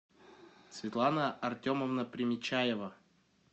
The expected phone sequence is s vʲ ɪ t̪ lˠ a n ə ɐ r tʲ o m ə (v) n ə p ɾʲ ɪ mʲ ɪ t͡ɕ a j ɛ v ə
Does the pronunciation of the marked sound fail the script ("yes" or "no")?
no